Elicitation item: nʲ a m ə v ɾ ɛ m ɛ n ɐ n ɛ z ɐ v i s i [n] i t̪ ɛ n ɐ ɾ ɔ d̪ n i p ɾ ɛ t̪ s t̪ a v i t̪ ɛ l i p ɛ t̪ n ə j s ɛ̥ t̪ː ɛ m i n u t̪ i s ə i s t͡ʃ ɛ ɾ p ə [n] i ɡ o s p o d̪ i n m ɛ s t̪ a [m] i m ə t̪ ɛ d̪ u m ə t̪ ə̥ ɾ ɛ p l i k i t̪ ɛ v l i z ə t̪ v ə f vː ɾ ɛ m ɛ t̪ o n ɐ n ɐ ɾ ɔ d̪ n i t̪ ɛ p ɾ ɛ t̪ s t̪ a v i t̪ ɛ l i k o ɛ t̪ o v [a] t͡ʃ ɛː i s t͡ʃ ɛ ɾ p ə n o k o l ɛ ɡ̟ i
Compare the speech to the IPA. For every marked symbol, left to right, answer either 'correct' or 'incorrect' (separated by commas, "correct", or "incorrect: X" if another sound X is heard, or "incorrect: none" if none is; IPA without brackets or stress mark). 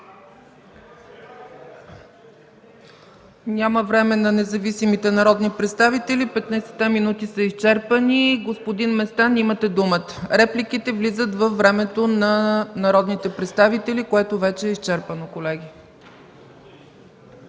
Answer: incorrect: m, correct, incorrect: n, incorrect: ɛ